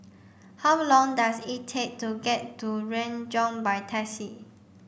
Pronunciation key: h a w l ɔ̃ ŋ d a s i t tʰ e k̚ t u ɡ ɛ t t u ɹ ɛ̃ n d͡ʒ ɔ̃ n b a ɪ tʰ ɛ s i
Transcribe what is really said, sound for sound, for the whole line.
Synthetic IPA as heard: h a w l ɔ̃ ŋ d a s i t tʰ e k̚ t u ɡ ɛ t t u ɹ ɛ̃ n d͡ʒ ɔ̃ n b a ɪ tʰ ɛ s i